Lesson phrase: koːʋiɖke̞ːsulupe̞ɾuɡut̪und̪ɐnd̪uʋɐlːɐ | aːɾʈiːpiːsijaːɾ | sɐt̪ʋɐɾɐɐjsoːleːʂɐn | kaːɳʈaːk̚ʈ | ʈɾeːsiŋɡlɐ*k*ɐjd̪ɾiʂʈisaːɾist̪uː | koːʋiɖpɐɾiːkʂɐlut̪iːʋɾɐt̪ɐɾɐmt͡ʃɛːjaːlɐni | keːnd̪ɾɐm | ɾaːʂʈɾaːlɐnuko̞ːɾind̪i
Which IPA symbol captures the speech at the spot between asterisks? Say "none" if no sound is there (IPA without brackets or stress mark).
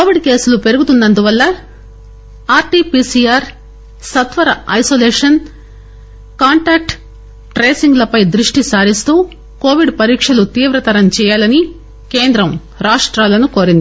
p